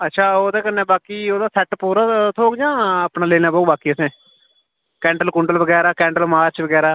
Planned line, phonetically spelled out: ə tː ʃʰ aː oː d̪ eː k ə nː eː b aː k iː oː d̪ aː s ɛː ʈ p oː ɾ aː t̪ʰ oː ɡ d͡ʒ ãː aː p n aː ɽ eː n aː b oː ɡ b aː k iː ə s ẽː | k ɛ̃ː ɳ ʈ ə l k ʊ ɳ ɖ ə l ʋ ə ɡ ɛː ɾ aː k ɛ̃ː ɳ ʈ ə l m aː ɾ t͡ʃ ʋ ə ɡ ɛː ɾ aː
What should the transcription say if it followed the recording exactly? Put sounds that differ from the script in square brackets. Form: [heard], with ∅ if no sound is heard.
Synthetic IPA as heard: ə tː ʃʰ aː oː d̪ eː k ə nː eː b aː k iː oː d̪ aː s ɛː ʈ p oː ɾ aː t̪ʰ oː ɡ d͡ʒ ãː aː p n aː [l] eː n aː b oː [∅] b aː k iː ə s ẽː | k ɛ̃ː ɳ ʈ ə l k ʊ ɳ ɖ ə l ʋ ə ɡ ɛː ɾ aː k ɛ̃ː ɳ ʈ ə l m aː ɾ t͡ʃ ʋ ə ɡ ɛː ɾ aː